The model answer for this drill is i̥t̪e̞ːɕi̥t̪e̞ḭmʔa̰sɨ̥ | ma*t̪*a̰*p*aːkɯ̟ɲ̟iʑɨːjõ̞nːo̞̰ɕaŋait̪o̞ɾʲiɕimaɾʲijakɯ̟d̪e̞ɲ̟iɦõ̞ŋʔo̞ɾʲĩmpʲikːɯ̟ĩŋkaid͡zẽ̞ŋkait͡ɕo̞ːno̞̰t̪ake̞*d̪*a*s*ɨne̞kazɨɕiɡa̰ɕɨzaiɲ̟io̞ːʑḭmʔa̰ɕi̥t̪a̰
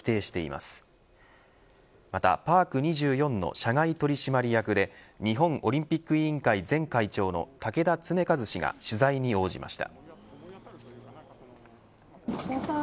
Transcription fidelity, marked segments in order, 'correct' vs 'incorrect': correct, correct, correct, incorrect

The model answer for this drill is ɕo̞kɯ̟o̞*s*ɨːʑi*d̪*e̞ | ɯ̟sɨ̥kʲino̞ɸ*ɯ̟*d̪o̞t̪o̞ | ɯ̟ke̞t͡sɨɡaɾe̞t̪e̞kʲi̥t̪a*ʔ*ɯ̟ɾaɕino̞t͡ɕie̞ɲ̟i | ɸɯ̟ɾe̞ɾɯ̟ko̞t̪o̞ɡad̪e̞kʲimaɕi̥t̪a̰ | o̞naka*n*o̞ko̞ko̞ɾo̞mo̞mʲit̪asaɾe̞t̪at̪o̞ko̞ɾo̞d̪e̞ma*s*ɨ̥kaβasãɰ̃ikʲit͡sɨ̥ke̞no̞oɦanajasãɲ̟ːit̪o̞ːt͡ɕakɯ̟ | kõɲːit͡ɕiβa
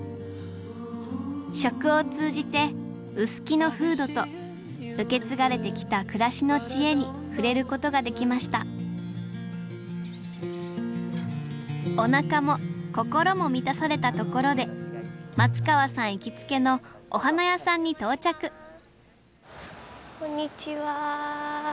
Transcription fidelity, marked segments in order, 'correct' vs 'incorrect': incorrect, incorrect, incorrect, incorrect, incorrect, incorrect

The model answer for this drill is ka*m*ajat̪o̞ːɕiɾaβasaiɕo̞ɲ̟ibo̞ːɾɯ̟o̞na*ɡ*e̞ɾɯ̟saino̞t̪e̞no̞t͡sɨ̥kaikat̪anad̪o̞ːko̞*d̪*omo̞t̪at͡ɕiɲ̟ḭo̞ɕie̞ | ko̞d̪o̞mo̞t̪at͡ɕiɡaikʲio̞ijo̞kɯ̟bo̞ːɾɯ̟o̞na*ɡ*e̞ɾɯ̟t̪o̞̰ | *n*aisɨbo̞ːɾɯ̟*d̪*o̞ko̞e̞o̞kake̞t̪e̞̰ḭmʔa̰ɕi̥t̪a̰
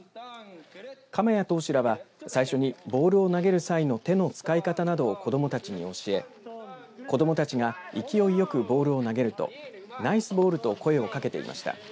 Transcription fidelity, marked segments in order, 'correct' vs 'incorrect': correct, correct, correct, correct, correct, incorrect

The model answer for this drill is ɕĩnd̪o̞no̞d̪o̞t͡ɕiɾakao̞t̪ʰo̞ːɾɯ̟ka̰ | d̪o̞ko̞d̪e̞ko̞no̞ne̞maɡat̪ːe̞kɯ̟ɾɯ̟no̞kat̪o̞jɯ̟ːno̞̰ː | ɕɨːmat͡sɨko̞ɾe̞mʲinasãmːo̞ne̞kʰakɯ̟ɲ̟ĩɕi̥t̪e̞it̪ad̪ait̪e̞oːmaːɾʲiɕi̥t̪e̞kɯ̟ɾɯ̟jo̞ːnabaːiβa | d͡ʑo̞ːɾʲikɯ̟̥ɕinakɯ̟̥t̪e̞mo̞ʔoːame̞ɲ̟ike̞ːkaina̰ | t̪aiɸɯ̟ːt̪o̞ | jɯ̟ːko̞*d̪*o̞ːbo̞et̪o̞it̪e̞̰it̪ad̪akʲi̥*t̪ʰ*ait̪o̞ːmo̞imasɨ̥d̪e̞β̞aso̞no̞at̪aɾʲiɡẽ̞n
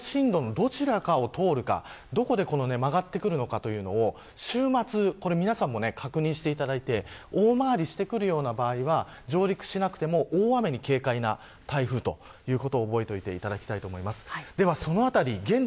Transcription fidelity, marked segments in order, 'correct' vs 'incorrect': incorrect, incorrect

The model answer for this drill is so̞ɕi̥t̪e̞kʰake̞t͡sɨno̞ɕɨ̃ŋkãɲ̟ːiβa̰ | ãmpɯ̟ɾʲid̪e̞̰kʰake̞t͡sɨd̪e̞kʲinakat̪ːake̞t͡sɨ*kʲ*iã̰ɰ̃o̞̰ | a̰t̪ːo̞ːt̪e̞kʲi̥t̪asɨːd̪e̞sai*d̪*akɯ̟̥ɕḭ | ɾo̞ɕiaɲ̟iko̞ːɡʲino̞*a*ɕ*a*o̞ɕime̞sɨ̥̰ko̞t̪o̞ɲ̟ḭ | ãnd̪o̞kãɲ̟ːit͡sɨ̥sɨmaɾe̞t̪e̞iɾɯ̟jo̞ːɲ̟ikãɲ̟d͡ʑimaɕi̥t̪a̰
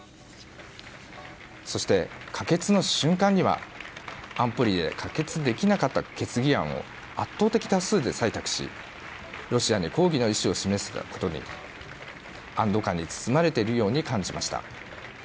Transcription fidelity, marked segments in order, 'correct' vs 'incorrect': incorrect, incorrect, incorrect, incorrect

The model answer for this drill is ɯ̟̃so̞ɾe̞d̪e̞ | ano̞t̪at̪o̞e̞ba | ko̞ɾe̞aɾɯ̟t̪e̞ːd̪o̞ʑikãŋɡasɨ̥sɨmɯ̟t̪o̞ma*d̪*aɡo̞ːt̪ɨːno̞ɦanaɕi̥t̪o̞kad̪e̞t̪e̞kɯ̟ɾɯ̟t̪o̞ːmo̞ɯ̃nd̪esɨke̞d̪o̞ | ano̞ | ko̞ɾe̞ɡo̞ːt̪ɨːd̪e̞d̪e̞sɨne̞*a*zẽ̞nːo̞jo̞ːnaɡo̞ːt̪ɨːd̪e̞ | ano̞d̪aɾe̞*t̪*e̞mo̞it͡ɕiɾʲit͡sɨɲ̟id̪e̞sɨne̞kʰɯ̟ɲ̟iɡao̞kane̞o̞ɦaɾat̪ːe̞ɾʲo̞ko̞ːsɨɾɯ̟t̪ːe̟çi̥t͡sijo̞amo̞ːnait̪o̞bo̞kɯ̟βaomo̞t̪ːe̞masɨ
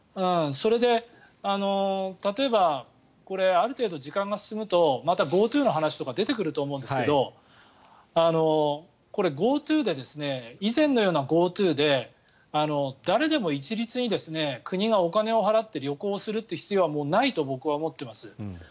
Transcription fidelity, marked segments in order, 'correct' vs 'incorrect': incorrect, incorrect, incorrect

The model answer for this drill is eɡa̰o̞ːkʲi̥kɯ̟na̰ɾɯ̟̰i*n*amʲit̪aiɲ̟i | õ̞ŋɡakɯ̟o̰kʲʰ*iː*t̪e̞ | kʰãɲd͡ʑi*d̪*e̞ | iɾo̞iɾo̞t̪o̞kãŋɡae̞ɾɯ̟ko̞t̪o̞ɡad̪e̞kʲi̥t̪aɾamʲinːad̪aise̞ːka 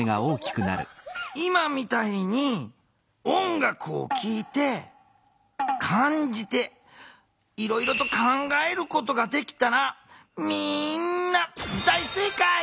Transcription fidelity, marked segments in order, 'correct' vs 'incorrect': incorrect, correct, incorrect

